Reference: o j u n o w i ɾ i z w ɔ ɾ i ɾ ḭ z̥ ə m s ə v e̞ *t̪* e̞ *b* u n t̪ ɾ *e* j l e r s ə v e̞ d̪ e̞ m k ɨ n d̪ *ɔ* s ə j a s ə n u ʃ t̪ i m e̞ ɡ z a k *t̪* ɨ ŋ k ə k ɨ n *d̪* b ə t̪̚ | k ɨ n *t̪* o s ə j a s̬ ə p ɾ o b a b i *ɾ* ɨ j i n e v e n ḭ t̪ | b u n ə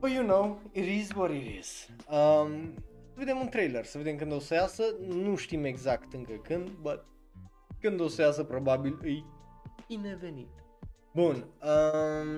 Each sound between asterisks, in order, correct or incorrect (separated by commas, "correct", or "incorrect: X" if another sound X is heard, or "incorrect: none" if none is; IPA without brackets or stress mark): incorrect: d̪, incorrect: m, correct, incorrect: o, correct, correct, incorrect: d̪, incorrect: l